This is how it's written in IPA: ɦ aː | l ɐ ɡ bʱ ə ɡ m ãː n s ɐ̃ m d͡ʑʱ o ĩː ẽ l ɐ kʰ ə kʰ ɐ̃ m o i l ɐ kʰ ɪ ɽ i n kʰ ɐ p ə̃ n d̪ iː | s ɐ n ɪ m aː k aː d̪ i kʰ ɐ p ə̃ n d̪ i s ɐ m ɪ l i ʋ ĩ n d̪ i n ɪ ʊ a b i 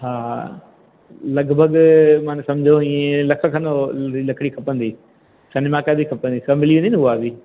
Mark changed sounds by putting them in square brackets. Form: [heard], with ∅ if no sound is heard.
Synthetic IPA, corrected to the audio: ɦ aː | l ɐ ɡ bʱ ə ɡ m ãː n s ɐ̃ m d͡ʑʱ o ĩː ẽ l ɐ kʰ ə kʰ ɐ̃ [n] o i l ɐ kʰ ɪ ɽ i [∅] kʰ ɐ p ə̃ n d̪ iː | s ɐ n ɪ m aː k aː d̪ i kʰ ɐ p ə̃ n d̪ i s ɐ m ɪ l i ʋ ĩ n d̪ i n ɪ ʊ a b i